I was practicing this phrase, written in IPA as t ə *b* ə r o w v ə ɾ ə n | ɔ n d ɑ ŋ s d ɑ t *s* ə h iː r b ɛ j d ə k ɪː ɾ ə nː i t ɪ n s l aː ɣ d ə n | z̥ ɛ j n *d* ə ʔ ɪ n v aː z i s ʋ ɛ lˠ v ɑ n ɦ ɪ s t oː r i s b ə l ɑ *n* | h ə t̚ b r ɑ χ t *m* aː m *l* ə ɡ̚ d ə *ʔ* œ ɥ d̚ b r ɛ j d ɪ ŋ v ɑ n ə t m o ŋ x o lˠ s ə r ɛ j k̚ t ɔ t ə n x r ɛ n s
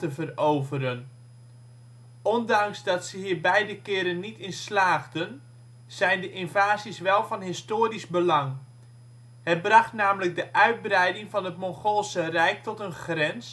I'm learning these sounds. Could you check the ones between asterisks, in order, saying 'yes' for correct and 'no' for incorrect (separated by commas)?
no, yes, yes, no, no, yes, yes